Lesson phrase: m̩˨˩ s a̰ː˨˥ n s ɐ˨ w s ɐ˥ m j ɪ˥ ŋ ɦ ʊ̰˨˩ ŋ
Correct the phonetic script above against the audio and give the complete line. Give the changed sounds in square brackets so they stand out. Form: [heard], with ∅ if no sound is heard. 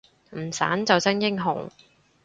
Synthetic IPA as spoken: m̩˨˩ s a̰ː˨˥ n [t͡s] ɐ˨ w s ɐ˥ [ŋ] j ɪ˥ ŋ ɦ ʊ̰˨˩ ŋ

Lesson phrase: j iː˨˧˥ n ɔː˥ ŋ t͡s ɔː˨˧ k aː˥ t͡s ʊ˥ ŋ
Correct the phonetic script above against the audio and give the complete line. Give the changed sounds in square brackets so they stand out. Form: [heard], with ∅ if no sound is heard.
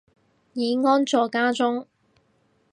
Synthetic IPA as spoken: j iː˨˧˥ [ŋ] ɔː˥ [n] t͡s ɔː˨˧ k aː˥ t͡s ʊ˥ ŋ

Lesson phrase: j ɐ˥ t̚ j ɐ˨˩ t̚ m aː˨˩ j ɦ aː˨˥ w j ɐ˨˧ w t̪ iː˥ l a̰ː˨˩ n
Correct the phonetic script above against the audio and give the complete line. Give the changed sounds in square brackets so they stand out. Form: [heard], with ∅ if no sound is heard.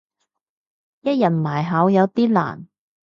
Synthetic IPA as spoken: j ɐ˥ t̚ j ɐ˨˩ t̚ m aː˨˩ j ɦ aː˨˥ w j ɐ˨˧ w t̪ iː˥ l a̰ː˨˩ n

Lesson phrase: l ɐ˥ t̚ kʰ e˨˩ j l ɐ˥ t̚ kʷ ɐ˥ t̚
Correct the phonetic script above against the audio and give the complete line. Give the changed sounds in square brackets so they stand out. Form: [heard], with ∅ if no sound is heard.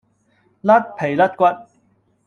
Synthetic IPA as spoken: l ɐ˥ t̚ [pʰ] e˨˩ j l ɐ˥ t̚ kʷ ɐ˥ t̚

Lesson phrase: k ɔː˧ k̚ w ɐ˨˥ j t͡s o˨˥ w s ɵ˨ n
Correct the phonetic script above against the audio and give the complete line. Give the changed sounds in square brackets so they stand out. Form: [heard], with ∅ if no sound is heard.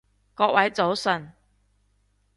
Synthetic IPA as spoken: k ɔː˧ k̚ w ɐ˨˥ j t͡s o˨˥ w s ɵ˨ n

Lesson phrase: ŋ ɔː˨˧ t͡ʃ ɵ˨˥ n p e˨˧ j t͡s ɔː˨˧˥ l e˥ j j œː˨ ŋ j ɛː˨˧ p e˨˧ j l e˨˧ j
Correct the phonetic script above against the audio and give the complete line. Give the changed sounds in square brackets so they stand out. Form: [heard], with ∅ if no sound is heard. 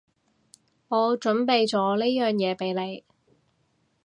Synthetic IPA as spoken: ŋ ɔː˨˧ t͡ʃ ɵ˨˥ n p e˨˧ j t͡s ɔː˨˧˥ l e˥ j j œː˨ ŋ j ɛː˨˧ p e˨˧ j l e˨˧ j

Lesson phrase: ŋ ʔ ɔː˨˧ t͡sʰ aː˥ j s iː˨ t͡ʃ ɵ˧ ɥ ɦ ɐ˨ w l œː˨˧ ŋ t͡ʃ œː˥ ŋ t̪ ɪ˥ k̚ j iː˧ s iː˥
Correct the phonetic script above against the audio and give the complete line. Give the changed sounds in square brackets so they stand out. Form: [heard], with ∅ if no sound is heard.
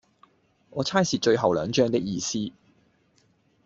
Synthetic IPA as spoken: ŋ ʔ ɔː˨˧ t͡sʰ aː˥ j s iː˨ t͡ʃ ɵ˧ ɥ ɦ ɐ˨ w l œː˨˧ ŋ t͡ʃ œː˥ ŋ t̪ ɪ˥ k̚ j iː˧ s iː˥

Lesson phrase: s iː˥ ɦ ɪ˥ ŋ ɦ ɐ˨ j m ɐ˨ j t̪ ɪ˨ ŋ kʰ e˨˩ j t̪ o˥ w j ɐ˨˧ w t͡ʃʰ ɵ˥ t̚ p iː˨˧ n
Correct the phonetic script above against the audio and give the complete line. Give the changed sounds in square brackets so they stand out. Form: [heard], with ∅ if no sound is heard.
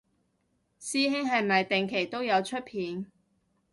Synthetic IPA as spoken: s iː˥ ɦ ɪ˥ ŋ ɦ ɐ˨ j m ɐ˨ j t̪ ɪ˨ ŋ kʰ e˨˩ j t̪ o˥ w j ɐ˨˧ w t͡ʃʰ ɵ˥ t̚ [pʰ] iː˨˧ n

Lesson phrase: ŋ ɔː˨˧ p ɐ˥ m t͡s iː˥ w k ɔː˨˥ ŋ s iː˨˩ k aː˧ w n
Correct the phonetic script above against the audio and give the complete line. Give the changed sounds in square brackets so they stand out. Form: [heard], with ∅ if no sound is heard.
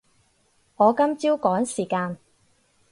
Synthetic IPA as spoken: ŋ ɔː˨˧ [k] ɐ˥ m t͡s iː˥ w k ɔː˨˥ ŋ s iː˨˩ k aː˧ [∅] n

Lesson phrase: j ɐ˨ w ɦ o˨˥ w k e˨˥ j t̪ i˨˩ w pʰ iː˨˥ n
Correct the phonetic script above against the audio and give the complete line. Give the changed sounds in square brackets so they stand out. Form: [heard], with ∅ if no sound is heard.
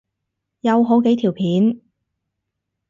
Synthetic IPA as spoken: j ɐ˨ w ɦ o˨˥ w k e˨˥ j [t̪ʰ] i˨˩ w pʰ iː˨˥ n

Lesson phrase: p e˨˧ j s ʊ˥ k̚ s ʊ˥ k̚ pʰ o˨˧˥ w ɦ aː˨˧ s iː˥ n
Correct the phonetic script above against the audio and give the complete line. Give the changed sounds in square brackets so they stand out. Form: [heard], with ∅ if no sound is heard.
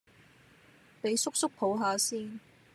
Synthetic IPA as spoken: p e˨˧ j s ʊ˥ k̚ s ʊ˥ k̚ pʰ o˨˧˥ w ɦ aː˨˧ s iː˥ n

